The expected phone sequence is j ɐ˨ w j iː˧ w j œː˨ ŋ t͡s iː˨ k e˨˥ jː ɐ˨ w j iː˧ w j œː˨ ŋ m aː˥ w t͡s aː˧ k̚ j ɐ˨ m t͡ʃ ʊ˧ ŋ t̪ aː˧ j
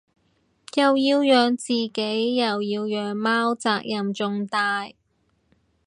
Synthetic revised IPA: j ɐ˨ w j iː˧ w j œː˨ ŋ t͡s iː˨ k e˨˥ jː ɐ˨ w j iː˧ w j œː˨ ŋ m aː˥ w t͡s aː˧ k̚ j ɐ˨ m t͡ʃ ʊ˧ ŋ t̪ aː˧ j